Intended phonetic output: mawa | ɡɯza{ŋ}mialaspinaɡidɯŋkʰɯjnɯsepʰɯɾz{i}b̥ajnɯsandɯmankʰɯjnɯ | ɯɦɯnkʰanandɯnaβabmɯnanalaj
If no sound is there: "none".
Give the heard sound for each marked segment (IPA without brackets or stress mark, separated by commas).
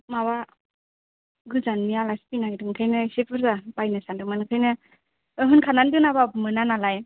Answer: n, a